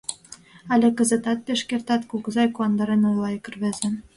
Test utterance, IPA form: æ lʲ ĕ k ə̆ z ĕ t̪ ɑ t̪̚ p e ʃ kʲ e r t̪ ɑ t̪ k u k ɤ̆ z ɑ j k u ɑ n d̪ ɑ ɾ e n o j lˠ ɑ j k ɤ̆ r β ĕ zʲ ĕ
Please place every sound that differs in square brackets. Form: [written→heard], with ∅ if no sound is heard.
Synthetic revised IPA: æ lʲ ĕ k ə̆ z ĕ t̪ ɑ t̪̚ p e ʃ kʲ e r t̪ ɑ t̪ k u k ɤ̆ z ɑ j k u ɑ n d̪ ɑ ɾ e n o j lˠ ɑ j k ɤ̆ r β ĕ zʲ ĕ